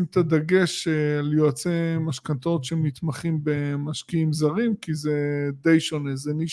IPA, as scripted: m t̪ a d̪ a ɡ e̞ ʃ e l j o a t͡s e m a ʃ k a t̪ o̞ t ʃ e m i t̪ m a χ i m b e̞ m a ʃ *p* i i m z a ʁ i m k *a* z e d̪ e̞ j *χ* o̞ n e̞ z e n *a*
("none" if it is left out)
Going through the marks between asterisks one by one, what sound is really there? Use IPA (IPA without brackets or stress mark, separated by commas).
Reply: k, i, ʃ, i